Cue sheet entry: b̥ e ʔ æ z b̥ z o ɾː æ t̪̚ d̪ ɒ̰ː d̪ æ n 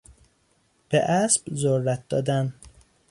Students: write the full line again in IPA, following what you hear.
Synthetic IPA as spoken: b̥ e ʔ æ s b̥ z o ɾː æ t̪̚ d̪ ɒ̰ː d̪ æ n